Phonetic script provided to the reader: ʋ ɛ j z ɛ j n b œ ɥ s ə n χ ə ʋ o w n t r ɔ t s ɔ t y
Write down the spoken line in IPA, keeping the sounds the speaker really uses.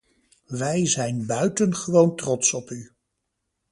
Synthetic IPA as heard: ʋ ɛ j z ɛ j n b œ ɥ t ə n χ ə ʋ o w n t r ɔ t s ɔ p y